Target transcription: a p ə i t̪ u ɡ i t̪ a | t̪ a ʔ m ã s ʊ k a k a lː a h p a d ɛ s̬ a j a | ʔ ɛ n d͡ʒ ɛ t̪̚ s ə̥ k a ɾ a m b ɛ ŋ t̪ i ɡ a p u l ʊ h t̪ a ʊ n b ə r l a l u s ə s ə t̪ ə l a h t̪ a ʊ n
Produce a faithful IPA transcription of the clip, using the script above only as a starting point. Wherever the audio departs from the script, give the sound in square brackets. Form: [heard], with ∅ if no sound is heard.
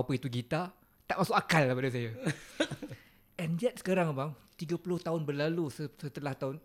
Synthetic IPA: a p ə i t̪ u ɡ i t̪ a | t̪ a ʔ m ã s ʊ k a k a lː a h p a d [a] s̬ a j a | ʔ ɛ n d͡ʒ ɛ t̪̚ s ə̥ k a ɾ a [ŋ] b [a] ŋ t̪ i ɡ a p u l ʊ h t̪ a ʊ n b ə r l a l u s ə s ə t̪ ə l a h t̪ a ʊ n